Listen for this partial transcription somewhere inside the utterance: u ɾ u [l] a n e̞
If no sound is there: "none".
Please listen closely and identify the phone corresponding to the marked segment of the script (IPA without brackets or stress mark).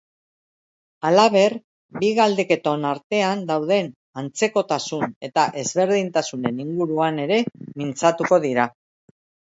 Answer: none